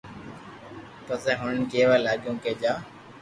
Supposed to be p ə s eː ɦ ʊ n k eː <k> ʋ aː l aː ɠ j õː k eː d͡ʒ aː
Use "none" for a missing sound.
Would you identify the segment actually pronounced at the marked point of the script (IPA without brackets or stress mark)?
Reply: none